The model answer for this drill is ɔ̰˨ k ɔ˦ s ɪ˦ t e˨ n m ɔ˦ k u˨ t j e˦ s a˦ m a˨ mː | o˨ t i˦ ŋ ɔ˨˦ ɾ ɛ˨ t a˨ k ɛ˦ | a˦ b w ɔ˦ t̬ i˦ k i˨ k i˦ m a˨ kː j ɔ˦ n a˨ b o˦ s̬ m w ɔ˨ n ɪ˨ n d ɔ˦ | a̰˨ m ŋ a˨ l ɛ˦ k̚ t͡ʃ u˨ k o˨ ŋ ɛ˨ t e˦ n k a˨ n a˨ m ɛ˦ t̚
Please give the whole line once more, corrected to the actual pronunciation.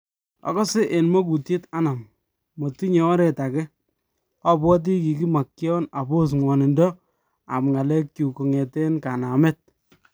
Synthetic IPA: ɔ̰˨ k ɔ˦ s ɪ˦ ʔ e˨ n m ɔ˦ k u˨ t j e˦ t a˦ n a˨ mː | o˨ t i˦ ɲ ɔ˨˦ ɾ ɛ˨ t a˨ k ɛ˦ | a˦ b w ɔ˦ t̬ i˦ k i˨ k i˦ m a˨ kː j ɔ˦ n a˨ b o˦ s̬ ŋ w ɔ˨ n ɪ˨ n d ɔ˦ | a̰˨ m ŋ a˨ l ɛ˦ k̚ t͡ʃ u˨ k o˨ ŋ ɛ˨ t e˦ n k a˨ n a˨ m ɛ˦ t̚